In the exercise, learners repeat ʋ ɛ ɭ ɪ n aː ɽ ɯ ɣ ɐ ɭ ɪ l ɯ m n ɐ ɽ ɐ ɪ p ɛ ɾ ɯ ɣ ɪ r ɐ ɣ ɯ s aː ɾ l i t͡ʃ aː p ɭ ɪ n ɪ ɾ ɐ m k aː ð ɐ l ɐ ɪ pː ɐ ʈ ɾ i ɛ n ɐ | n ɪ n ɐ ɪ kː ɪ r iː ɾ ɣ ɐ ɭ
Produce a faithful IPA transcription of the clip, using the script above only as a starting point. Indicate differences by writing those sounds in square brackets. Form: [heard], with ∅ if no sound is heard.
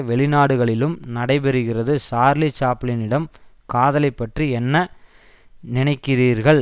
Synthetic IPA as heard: ʋ ɛ ɭ ɪ n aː ɽ ɯ ɣ ɐ ɭ ɪ l ɯ m n ɐ ɽ ɐ ɪ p ɛ ɾ ɯ ɣ ɪ r ɐ [ð] ɯ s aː ɾ l i t͡ʃ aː p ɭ ɪ n ɪ [ɽ] ɐ m k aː ð ɐ l ɐ ɪ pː ɐ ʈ [r] i ɛ [nː] ɐ | n ɪ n ɐ ɪ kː ɪ r iː ɾ ɣ ɐ ɭ